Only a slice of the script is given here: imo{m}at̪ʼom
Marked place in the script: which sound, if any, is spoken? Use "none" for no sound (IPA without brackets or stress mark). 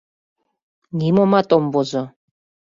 m